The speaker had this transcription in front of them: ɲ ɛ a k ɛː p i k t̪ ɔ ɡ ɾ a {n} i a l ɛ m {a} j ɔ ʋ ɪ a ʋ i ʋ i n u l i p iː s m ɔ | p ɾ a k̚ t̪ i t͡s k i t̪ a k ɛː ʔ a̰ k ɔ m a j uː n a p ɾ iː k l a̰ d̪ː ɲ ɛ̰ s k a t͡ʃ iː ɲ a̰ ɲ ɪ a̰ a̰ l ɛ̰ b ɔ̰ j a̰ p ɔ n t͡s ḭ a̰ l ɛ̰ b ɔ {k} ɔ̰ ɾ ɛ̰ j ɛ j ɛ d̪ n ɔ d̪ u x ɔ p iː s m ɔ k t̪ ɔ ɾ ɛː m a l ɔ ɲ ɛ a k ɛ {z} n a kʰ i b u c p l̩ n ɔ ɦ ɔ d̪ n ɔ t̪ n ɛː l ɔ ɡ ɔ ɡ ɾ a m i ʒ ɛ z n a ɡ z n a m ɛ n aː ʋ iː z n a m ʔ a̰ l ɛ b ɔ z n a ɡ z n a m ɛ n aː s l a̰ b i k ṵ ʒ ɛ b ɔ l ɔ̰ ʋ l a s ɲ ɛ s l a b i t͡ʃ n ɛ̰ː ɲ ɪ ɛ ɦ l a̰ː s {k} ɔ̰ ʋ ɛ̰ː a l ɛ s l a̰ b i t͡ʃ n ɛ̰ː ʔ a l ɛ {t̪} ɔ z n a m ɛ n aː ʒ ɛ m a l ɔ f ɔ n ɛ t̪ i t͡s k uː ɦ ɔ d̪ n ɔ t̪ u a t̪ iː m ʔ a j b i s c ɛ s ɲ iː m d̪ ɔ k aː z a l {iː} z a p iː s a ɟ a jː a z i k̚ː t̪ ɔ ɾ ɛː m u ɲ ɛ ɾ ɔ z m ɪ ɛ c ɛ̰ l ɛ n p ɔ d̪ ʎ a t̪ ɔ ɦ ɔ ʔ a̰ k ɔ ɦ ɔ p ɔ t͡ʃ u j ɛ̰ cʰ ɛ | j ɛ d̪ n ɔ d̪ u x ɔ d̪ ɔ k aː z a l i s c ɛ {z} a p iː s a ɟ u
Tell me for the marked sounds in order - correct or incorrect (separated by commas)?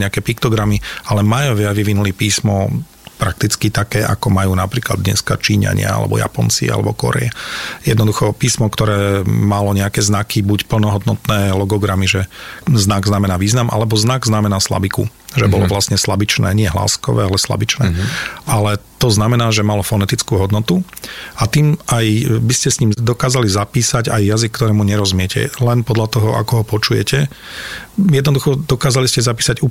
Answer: incorrect, correct, correct, correct, correct, correct, incorrect, correct